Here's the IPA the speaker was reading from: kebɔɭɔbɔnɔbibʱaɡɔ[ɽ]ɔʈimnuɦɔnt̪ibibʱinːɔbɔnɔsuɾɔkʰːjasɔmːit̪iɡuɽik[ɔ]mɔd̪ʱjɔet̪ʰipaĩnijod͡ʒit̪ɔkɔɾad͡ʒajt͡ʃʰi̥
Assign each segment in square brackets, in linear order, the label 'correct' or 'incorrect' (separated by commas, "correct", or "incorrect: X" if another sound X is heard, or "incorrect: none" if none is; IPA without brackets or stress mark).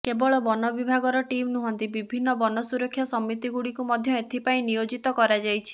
incorrect: ɾ, incorrect: u